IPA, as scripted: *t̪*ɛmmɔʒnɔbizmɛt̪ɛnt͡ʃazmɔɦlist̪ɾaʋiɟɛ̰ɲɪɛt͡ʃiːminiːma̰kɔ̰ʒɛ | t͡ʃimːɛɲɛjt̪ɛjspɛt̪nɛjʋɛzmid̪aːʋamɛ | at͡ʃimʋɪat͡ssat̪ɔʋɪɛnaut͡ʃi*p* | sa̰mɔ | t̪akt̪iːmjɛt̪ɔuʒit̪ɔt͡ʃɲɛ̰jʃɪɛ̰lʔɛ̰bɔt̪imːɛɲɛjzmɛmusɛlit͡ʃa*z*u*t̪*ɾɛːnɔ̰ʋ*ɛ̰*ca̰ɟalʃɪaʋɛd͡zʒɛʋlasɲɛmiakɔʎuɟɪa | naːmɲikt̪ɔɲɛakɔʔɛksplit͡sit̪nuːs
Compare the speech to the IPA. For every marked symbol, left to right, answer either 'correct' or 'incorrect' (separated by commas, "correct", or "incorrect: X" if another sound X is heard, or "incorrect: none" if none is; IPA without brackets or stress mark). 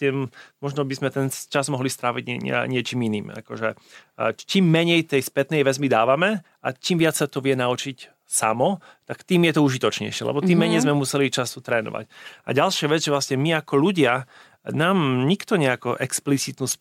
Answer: correct, incorrect: c, incorrect: s, correct, incorrect: a̰